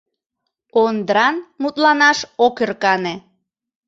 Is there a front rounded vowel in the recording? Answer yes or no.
no